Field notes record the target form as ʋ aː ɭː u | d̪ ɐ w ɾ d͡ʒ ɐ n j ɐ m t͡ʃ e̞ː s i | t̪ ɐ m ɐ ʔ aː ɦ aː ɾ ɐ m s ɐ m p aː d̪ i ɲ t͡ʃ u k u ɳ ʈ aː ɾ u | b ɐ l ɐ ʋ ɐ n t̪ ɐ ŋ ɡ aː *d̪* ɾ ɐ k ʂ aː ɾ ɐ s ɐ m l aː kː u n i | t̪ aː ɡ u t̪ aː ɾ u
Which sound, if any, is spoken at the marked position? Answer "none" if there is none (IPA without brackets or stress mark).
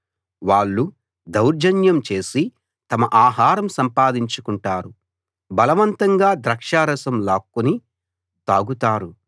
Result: d̪